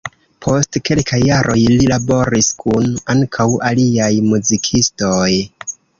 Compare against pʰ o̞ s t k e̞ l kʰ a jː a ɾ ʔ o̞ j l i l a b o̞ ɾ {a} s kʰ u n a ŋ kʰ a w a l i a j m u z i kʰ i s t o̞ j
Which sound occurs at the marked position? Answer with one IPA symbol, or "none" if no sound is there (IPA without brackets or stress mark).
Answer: i